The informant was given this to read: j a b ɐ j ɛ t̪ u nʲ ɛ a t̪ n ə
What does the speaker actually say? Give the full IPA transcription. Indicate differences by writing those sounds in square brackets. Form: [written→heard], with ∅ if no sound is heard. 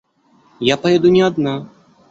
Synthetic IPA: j a [b→p] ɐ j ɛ [t̪→d̪] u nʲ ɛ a [t̪→d̪] n [ə→a]